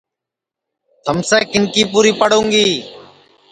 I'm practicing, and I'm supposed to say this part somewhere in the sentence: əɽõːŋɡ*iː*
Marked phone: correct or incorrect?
correct